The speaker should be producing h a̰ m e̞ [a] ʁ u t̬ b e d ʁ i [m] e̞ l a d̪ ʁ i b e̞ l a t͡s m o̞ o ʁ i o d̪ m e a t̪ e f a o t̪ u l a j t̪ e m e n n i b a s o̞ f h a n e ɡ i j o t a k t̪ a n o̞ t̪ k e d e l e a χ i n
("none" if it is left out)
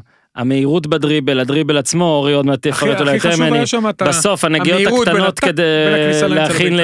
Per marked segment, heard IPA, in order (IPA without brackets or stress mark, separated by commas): i, b